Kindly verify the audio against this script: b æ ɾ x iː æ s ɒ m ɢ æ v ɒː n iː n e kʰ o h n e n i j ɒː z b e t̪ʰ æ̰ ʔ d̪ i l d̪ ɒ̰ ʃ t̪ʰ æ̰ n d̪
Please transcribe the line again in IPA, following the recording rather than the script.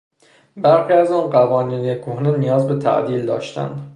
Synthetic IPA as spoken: b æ ɾ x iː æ z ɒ n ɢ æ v ɒː n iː n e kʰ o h n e n i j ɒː z b e t̪ʰ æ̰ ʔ d̪ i l d̪ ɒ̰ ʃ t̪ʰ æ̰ n d̪

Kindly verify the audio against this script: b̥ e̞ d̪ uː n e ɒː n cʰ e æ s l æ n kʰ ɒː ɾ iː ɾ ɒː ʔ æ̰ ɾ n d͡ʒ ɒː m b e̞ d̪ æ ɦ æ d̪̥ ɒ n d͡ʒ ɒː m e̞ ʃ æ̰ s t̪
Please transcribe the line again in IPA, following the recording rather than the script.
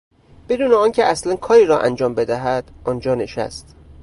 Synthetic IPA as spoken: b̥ e̞ d̪ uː n e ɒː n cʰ e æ s l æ n kʰ ɒː ɾ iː ɾ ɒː ʔ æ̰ n d͡ʒ ɒː m b e̞ d̪ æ ɦ æ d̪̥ ɒ n d͡ʒ ɒː n e̞ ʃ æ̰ s t̪

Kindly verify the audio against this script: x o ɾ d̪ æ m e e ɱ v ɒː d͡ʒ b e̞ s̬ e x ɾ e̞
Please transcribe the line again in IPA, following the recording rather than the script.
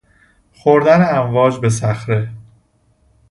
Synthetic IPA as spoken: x o ɾ d̪ æ n e æ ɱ v ɒː d͡ʒ b e̞ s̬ æ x ɾ e̞

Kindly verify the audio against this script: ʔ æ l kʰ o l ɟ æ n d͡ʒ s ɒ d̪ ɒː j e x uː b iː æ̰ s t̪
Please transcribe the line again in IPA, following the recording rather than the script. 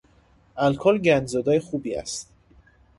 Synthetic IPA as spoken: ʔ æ l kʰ o l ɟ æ n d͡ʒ z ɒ d̪ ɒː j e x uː b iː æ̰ s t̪

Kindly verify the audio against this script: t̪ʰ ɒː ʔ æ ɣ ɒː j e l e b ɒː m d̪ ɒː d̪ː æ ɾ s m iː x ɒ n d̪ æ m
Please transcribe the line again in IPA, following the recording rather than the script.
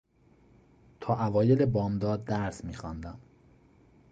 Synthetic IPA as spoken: t̪ʰ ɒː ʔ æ v ɒː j e l e b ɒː m d̪ ɒː d̪ː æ ɾ s m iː x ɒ n d̪ æ m

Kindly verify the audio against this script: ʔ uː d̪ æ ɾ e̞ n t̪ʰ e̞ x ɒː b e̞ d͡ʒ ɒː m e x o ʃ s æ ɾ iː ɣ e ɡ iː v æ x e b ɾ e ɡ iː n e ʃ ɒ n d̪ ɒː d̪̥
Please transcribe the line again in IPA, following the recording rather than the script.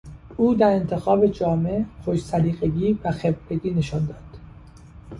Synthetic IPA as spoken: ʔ uː d̪ æ ɾ e̞ n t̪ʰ e̞ x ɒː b e̞ d͡ʒ ɒː m e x o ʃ s æ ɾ iː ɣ e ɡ iː v æ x e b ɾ e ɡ iː n e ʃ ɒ n d̪ ɒː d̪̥

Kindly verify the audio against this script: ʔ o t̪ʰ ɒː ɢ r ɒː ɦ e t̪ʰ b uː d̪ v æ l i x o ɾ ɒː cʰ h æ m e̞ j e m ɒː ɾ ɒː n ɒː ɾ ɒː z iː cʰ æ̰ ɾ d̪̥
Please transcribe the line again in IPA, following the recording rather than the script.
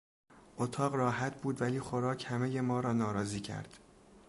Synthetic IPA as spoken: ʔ o t̪ʰ ɒː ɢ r ɒː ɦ æ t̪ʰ b uː d̪ v æ l iː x o ɾ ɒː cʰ h æ m e̞ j e m ɒː ɾ ɒː n ɒː ɾ ɒː z iː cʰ æ̰ ɾ d̪̥

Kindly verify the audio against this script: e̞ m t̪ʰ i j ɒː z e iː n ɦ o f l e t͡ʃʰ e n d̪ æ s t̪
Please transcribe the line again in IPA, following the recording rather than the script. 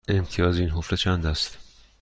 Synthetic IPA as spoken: e̞ m t̪ʰ i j ɒː z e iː n ɦ o f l e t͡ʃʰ æ n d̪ æ s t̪

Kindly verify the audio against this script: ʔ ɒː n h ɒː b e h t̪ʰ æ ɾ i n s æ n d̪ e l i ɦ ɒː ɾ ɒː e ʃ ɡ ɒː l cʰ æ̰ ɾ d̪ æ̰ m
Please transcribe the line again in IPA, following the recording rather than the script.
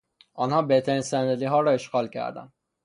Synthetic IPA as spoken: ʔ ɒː n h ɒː b e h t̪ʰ æ ɾ i n s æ n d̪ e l i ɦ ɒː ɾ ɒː e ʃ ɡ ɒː l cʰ æ̰ ɾ d̪ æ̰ n

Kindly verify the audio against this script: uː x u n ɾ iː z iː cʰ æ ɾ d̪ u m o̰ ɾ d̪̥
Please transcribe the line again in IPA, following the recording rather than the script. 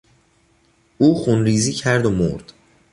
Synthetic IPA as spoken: uː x u n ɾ iː z iː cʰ æ ɾ d̪ o m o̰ ɾ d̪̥

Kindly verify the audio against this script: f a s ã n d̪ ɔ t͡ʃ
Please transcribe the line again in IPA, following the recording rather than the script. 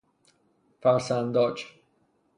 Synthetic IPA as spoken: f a s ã n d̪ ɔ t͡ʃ

